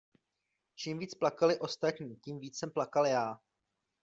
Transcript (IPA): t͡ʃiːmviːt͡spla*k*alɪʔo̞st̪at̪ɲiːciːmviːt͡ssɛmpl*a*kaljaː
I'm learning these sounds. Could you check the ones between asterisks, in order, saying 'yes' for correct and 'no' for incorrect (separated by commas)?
yes, yes